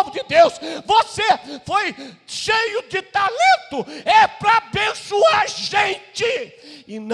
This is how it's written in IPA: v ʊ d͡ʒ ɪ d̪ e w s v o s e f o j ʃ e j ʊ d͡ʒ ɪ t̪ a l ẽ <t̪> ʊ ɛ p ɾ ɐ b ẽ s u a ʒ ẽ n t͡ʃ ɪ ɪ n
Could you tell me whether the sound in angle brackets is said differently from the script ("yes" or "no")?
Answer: no